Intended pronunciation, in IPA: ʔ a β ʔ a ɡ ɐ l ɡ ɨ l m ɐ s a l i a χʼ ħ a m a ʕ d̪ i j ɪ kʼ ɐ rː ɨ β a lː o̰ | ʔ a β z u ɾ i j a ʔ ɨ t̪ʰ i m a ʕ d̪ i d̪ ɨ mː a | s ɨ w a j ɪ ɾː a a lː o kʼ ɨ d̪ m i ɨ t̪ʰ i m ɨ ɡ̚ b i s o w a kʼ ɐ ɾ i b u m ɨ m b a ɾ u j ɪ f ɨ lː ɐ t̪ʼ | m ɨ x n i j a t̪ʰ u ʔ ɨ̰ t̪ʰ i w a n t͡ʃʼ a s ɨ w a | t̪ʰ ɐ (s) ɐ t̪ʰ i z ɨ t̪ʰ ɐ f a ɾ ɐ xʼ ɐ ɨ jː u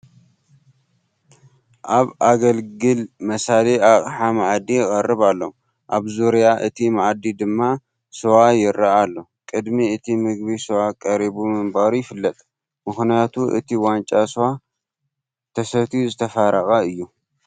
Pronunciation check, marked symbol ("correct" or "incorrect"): correct